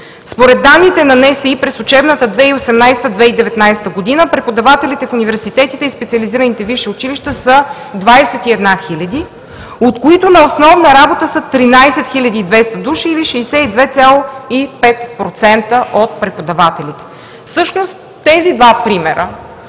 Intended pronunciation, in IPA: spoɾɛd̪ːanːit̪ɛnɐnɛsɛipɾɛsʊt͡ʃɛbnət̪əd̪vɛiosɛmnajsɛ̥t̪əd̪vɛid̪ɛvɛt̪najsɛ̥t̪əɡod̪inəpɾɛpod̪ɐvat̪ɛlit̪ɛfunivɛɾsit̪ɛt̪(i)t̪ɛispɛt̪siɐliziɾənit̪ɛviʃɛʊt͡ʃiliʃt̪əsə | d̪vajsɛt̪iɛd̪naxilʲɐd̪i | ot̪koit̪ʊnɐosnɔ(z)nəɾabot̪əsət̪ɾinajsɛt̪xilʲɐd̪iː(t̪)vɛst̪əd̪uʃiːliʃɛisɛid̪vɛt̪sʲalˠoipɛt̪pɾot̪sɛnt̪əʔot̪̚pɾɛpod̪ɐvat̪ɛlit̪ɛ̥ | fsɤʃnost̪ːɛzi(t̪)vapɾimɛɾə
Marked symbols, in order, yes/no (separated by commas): yes, no, no, no